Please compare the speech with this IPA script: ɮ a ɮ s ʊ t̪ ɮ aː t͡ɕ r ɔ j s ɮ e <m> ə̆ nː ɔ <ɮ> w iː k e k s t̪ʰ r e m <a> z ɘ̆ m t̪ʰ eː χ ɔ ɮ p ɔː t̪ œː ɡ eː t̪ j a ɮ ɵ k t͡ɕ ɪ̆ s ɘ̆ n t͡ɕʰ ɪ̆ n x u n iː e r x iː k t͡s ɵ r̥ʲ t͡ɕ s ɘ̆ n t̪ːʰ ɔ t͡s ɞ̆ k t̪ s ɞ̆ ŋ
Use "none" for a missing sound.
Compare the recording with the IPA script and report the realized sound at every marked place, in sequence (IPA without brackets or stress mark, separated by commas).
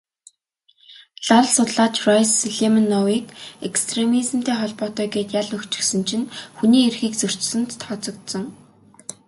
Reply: m, none, i